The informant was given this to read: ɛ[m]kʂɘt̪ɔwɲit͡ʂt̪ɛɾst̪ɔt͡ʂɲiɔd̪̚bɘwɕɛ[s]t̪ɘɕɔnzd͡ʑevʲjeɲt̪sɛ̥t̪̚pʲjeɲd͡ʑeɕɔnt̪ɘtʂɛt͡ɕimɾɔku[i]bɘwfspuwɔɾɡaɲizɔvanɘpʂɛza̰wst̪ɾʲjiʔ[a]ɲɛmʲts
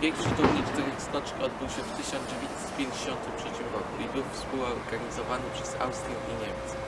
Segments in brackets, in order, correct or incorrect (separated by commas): incorrect, incorrect, correct, incorrect